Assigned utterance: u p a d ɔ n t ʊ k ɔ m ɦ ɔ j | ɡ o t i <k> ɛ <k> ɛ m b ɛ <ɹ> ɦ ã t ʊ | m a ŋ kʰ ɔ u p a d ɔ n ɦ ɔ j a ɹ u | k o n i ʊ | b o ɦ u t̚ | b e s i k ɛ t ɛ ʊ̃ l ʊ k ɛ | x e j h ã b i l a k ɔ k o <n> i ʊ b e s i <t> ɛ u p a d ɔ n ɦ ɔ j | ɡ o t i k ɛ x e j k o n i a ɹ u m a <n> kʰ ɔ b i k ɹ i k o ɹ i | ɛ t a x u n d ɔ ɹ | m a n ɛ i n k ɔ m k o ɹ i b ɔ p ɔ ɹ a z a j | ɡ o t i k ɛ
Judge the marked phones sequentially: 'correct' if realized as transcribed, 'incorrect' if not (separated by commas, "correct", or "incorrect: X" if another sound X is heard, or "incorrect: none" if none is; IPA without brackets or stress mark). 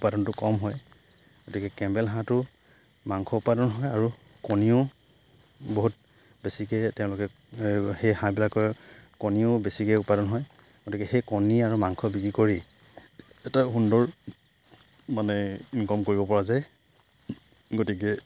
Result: correct, correct, incorrect: l, correct, incorrect: k, incorrect: ŋ